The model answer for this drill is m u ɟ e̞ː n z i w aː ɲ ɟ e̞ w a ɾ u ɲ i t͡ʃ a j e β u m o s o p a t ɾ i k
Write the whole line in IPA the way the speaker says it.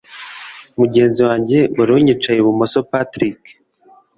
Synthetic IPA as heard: m u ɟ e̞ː n z i w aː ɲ ɟ e̞ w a ɾ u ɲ i t͡ʃ a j e β u m o s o p a t ɾ i k